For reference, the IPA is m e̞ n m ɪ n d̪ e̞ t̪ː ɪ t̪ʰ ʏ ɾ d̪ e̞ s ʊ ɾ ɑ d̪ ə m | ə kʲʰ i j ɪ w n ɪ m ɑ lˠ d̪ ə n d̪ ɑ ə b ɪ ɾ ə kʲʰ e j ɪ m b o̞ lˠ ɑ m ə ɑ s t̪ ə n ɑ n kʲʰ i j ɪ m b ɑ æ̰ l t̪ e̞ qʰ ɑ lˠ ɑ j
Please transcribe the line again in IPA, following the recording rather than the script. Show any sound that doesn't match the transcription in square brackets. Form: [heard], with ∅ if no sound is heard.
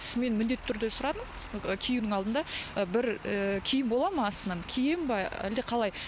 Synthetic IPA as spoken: m e̞ n m ɪ n d̪ e̞ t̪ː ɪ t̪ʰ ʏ ɾ d̪ e̞ s ʊ ɾ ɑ d̪ ə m | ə kʲʰ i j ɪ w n ɪ [ŋ] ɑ lˠ d̪ ə n d̪ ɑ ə b ɪ ɾ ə kʲʰ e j ɪ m b o̞ lˠ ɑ m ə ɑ s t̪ ə n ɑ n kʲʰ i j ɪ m b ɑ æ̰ l [d̪] e̞ qʰ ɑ lˠ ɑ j

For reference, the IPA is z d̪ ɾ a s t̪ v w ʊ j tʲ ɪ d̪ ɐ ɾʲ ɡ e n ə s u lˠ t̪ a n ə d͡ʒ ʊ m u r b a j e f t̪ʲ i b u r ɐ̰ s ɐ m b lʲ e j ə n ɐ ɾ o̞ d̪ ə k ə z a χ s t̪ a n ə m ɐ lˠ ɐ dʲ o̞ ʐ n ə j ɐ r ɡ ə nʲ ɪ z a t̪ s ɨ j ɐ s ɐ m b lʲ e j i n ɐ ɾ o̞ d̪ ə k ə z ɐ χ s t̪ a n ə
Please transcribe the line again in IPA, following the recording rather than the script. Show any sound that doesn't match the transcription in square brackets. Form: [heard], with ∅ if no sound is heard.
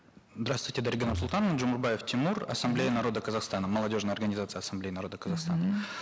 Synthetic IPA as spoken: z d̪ ɾ a s t̪ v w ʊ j tʲ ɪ d̪ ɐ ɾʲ ɡ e n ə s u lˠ t̪ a n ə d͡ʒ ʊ m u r b a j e f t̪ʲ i [m] u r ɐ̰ s ɐ m b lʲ e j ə n ɐ ɾ o̞ d̪ ə k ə z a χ s t̪ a n ə m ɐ lˠ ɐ dʲ o̞ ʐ n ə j ɐ r ɡ ə nʲ ɪ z a t̪ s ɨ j ɐ s ɐ m b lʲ e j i n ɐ ɾ o̞ d̪ ə k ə z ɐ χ s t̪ a n ə

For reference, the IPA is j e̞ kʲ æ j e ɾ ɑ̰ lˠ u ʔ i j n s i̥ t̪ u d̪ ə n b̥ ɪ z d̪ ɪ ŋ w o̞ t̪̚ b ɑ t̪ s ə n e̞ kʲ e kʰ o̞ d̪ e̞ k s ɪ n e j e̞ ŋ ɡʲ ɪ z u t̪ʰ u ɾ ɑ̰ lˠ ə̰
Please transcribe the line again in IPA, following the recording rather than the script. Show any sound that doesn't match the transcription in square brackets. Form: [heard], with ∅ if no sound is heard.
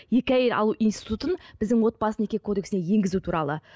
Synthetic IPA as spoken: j e̞ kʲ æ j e ɾ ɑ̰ lˠ u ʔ i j n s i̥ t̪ u [t̪] ə n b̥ ɪ z d̪ ɪ ŋ w o̞ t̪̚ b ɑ [∅] s ə n e̞ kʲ e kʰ o̞ d̪ e̞ k s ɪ n e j e̞ ŋ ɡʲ ɪ z u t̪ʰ u ɾ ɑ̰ lˠ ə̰

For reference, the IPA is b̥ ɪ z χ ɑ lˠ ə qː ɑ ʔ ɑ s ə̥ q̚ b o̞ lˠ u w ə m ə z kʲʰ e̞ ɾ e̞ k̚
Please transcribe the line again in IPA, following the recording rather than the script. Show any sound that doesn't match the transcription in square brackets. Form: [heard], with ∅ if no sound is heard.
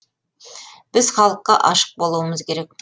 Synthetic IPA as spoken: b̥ ɪ z χ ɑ lˠ ə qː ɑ ʔ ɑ [ʃ] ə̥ q̚ b o̞ lˠ u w ə m ə z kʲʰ e̞ ɾ e̞ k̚

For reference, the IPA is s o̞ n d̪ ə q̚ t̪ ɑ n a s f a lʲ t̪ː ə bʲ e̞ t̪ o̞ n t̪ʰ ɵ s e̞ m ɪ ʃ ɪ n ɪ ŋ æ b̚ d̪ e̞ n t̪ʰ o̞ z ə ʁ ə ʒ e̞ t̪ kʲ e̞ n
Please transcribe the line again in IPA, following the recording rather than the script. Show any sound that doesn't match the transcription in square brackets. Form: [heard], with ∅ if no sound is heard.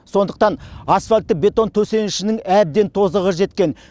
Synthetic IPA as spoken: s o̞ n d̪ ə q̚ t̪ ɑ n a s f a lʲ t̪ː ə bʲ e̞ t̪ o̞ n t̪ʰ ɵ s e̞ [n] ɪ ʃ ɪ n ɪ ŋ æ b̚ d̪ e̞ n t̪ʰ o̞ z ə ʁ ə ʒ e̞ t̪ kʲ e̞ n

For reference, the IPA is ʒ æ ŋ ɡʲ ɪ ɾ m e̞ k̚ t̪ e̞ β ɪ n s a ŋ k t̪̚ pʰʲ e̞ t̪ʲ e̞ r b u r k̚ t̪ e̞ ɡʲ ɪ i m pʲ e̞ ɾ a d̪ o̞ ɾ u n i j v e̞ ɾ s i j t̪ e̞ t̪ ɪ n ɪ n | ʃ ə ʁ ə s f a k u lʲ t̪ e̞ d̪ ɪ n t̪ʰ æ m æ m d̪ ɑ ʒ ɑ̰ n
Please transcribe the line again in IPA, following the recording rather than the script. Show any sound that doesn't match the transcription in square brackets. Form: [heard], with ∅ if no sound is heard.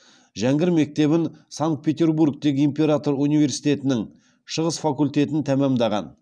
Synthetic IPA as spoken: ʒ æ ŋ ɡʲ ɪ ɾ m e̞ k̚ t̪ e̞ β ɪ n s a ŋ k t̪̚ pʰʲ e̞ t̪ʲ e̞ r b u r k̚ t̪ e̞ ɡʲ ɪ i m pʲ e̞ ɾ a [t̪] o̞ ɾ u n i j v e̞ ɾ s i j t̪ e̞ t̪ ɪ n ɪ [ŋ] | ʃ ə ʁ ə s f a k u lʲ t̪ e̞ [t̪] ɪ n t̪ʰ æ m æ m d̪ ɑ [ʁ] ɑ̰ n

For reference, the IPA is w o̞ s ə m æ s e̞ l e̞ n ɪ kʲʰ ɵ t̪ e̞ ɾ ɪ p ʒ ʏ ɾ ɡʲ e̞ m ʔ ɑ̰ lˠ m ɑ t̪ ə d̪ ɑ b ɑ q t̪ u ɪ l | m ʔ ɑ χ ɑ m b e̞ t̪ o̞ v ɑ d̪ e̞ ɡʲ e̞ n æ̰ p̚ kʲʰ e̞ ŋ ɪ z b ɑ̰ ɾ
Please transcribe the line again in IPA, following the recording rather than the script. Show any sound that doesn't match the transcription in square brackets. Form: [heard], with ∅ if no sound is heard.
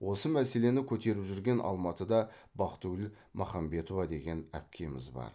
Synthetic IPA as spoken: w o̞ s ə m æ s e̞ l e̞ n ɪ kʲʰ ɵ t̪ e̞ ɾ ɪ p ʒ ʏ ɾ ɡʲ e̞ [n] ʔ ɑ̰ lˠ m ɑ t̪ ə d̪ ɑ b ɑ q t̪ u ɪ l | m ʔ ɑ χ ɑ m b e̞ t̪ o̞ v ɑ d̪ e̞ ɡʲ e̞ n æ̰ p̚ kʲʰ e̞ [m] ɪ z b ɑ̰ ɾ

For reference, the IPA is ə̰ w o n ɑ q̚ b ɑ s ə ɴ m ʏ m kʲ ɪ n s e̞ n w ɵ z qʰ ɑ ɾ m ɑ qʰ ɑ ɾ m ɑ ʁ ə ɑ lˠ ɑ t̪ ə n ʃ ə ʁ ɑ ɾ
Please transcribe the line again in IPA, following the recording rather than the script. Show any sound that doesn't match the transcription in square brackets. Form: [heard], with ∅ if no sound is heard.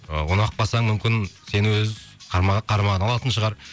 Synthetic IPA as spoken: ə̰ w o n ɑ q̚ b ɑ s [ɑ] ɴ m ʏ m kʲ ɪ n s e̞ n w ɵ z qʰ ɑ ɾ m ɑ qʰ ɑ ɾ m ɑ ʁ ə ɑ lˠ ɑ t̪ ə n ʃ ə ʁ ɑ ɾ

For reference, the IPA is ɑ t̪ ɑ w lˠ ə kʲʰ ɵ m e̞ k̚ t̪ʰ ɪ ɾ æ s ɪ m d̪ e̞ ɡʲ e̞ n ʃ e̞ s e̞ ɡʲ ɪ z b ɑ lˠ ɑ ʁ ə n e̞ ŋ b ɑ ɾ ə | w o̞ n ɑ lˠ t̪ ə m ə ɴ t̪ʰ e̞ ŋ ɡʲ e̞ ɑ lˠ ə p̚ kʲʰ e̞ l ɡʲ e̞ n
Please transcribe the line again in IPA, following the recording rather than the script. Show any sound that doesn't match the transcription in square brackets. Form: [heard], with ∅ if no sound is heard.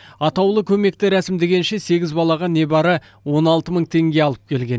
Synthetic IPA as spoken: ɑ t̪ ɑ w lˠ ə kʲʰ ɵ m e̞ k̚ [t̪] ɪ ɾ æ s ɪ m d̪ e̞ ɡʲ e̞ n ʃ e̞ s e̞ ɡʲ ɪ z b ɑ lˠ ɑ ʁ [ɑ] n e̞ [∅] b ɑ ɾ ə | w o̞ n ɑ lˠ t̪ ə m ə ɴ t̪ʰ e̞ ŋ ɡʲ e̞ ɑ lˠ ə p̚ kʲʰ e̞ l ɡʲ e̞ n

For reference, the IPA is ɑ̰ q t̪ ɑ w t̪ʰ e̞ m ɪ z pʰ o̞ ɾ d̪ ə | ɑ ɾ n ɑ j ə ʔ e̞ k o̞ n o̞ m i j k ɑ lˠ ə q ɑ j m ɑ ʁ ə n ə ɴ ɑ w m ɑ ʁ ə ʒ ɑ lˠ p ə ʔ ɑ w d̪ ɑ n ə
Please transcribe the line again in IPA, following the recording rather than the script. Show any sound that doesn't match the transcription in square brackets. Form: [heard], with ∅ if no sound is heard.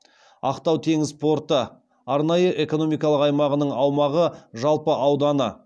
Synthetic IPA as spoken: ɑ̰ q t̪ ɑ w t̪ʰ e̞ [ŋ] ɪ z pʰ o̞ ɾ [t̪] ə | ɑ ɾ n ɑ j ə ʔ e̞ k o̞ n o̞ m i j k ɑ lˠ ə q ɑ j m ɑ ʁ ə n ə ɴ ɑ w m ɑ ʁ ə ʒ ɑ lˠ p ə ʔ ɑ w d̪ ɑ n ə

